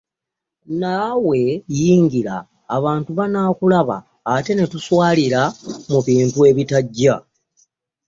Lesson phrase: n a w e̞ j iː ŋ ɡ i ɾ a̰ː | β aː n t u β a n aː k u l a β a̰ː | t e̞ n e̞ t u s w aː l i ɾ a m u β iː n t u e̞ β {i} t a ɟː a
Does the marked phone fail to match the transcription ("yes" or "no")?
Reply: no